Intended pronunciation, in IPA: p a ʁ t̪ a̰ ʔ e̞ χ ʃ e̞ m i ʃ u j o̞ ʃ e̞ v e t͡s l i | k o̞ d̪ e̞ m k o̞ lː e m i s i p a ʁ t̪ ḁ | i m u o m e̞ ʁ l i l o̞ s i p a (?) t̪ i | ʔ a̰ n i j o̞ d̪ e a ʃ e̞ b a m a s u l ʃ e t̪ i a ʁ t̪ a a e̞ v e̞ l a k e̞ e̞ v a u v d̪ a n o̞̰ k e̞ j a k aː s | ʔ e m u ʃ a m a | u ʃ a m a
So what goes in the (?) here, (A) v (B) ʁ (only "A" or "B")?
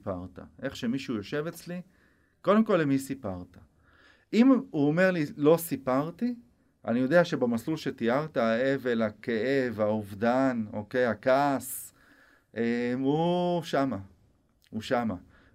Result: B